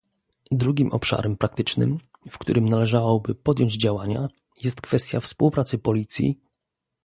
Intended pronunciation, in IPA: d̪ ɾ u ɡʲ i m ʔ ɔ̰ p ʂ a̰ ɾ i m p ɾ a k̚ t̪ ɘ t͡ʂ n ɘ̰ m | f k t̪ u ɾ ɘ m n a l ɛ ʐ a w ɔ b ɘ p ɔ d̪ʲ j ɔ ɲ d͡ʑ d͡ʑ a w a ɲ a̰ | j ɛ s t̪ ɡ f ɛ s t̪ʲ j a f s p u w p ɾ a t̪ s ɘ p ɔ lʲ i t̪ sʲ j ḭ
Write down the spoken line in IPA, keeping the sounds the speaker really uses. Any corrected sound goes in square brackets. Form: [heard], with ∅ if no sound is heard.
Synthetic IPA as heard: d̪ ɾ u ɡʲ i m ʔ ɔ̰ p ʂ a̰ ɾ [ɛ] m p ɾ a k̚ t̪ ɘ t͡ʂ n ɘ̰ m | f k t̪ u ɾ ɘ m n a l ɛ ʐ a w ɔ b ɘ p ɔ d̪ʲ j ɔ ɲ d͡ʑ d͡ʑ a w a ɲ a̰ | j ɛ s t̪ [k] f ɛ s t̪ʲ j a f s p u w p ɾ a t̪ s ɘ p ɔ lʲ i t̪ sʲ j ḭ